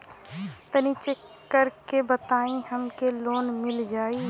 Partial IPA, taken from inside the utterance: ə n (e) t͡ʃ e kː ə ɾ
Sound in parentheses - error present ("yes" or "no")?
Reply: yes